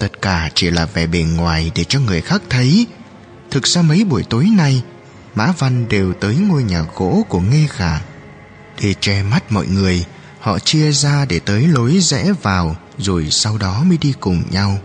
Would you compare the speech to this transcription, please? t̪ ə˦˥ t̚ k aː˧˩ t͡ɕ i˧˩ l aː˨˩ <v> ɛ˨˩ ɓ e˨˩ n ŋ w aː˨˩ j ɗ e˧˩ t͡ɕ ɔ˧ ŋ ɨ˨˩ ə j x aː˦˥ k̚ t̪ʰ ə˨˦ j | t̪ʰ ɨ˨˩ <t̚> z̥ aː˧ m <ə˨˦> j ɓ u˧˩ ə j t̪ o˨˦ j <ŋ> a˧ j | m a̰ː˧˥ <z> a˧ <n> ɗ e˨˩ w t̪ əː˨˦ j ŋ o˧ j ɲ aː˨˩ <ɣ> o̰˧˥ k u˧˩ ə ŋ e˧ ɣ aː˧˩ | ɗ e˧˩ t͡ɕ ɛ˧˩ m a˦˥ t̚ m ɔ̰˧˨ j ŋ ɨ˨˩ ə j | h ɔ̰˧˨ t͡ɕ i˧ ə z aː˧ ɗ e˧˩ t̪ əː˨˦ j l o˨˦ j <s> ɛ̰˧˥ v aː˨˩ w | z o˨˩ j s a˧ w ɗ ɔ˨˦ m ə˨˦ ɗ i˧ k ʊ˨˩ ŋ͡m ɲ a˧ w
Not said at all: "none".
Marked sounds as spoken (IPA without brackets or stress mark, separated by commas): v, k̚, ə˨˦, n, v, n, ɣ, z